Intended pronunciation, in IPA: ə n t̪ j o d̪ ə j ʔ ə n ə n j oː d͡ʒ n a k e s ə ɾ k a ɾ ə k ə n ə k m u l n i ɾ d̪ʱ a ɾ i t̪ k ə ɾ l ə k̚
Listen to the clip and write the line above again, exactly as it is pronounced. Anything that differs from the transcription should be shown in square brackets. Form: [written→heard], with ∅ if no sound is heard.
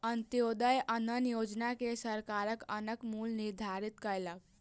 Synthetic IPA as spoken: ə n t̪ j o d̪ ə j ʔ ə n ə n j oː d͡ʒ n a k e s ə ɾ k a ɾ ə k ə n ə k m u l n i ɾ d̪ʱ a ɾ i t̪ k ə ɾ l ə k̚